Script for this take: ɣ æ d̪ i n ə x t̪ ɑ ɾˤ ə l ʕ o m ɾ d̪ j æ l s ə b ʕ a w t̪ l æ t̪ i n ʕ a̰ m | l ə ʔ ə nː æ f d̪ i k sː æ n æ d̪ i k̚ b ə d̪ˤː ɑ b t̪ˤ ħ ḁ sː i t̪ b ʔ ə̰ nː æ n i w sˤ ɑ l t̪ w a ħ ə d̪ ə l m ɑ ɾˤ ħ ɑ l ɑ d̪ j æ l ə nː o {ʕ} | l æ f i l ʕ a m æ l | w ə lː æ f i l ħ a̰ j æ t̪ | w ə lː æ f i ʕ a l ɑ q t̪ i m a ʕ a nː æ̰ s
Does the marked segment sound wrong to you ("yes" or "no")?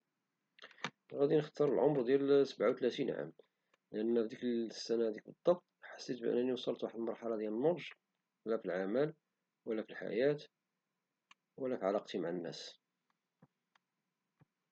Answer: yes